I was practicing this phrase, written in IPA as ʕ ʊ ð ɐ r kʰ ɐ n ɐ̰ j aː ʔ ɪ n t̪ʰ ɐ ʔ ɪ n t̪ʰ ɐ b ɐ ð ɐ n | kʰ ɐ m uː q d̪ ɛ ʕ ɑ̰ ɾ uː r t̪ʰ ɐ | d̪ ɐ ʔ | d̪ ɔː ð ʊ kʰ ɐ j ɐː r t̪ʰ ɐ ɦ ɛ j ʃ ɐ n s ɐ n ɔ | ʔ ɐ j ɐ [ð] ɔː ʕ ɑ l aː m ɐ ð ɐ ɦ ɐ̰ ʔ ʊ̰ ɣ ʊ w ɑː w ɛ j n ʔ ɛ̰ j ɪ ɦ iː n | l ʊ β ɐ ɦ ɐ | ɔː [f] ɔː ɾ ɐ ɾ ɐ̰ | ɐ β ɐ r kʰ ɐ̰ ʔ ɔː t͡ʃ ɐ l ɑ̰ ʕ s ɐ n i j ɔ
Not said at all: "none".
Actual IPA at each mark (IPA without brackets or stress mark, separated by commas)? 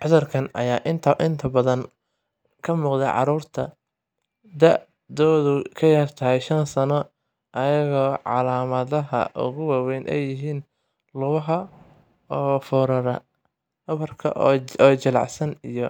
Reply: ɣ, f